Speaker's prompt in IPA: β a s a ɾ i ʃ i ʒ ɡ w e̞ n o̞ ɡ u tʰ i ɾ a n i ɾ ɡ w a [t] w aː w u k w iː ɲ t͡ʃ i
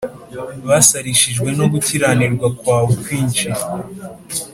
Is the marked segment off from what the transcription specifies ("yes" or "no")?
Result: yes